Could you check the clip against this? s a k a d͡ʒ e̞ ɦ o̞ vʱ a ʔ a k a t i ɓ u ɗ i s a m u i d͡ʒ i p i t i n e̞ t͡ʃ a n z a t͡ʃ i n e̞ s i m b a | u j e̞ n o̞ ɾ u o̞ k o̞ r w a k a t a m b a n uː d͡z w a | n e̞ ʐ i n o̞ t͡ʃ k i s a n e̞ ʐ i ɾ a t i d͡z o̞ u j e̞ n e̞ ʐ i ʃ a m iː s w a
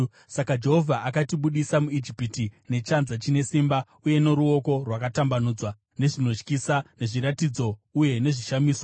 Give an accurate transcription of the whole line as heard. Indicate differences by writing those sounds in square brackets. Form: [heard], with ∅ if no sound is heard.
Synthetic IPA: s a k a d͡ʒ e̞ ɦ o̞ vʱ a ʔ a k a t i ɓ u ɗ i s a m u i d͡ʒ i p i t i n e̞ t͡ʃ a n z a t͡ʃ i n e̞ s i m b a | u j e̞ n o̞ ɾ u o̞ k o̞ r w a k a t a m b a n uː d͡z w a | n e̞ ʐ i n o̞ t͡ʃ k i s a n e̞ ʐ i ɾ a t i d͡z o̞ u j e̞ n e̞ ʐ i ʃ a m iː s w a